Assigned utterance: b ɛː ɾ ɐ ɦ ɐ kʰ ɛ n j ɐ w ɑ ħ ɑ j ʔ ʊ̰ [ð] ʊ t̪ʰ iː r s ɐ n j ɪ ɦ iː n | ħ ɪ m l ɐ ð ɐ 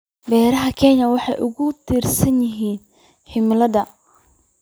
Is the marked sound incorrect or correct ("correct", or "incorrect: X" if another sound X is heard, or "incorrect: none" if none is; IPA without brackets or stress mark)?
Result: incorrect: ɣ